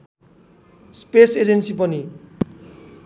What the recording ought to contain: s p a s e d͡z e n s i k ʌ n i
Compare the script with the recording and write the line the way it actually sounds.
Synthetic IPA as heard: s p e s e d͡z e n s i p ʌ n i